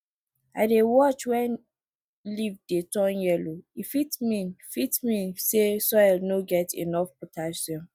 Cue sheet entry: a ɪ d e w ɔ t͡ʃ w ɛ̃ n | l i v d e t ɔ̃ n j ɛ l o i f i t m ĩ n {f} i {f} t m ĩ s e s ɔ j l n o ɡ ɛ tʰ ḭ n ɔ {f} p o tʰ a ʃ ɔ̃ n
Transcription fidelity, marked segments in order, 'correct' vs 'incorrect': correct, incorrect, correct

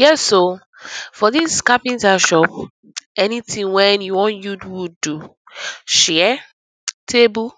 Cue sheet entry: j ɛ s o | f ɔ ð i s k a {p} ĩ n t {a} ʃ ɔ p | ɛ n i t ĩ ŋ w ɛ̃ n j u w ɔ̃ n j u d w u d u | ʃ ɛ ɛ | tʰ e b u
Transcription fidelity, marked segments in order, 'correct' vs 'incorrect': correct, correct

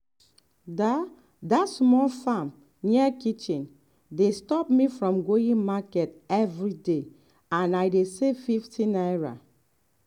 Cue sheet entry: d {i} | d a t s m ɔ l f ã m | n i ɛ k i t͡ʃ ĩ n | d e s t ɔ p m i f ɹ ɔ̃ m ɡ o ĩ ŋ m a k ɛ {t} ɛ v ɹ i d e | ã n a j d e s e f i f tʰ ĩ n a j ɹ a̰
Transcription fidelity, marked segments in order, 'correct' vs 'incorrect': incorrect, correct

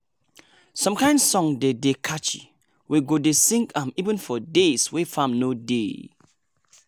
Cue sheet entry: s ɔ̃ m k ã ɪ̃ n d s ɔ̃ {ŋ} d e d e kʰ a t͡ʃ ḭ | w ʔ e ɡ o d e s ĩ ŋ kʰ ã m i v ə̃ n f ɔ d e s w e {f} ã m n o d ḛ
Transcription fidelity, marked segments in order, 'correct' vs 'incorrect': correct, correct

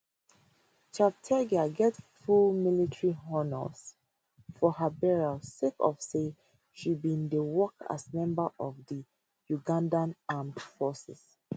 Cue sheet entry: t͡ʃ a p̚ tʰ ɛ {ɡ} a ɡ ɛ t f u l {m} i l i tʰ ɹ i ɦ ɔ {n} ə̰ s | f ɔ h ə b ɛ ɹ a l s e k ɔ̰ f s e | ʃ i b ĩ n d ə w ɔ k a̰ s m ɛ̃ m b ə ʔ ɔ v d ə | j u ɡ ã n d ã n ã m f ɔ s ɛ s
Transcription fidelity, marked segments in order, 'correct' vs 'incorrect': correct, correct, correct

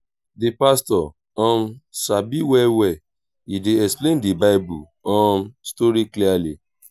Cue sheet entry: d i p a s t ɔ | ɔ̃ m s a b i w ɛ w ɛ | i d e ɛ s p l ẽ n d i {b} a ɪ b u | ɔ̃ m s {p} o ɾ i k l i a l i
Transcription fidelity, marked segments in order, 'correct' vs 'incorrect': correct, incorrect

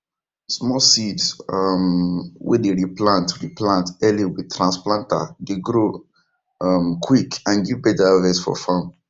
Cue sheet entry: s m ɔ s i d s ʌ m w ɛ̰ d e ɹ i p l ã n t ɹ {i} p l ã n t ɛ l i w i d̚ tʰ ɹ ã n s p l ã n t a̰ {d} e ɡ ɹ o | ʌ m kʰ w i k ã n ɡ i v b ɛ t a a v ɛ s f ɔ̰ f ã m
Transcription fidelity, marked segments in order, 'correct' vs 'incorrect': correct, correct

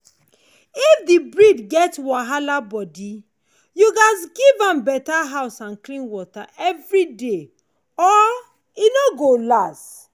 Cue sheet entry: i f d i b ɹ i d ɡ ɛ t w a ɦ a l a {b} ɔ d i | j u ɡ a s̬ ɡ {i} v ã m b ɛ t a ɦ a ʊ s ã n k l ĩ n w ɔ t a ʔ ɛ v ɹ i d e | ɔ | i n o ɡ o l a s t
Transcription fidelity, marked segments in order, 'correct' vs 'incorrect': correct, correct

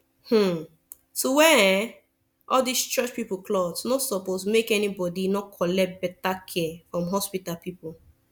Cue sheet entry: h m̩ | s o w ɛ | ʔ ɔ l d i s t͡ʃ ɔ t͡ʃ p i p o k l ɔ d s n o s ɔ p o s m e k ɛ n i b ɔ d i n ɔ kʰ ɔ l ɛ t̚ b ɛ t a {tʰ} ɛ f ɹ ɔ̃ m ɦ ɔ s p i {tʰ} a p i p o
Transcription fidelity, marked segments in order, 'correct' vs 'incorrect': incorrect, incorrect

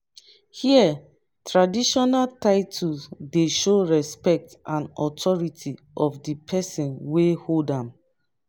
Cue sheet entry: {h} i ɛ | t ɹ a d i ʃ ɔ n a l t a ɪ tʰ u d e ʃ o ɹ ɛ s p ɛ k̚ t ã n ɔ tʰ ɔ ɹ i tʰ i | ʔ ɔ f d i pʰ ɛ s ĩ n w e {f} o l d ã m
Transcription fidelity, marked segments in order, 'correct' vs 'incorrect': correct, incorrect

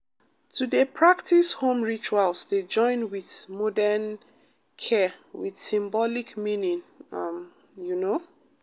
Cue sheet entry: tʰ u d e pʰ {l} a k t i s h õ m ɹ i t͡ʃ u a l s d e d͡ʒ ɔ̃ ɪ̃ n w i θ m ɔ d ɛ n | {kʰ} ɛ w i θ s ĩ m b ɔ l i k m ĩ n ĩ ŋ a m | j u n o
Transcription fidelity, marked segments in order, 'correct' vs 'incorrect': incorrect, correct

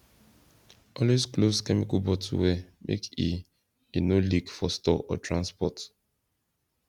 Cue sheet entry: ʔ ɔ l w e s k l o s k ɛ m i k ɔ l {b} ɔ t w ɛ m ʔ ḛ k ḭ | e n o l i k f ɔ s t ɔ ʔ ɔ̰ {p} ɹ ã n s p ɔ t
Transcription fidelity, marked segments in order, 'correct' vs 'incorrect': correct, incorrect

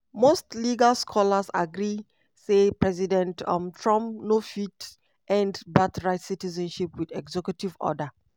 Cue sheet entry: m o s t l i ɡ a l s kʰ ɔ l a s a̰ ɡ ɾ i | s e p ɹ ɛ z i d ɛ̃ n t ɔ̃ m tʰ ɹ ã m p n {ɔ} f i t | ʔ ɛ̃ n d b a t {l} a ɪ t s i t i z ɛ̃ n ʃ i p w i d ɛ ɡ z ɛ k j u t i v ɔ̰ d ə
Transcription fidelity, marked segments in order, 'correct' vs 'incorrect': incorrect, incorrect

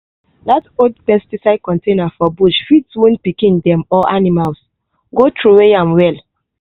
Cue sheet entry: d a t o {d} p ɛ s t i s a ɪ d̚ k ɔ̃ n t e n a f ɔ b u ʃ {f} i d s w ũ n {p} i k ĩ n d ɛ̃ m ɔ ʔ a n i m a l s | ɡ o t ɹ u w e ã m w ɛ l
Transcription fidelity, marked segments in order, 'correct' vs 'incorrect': correct, correct, correct

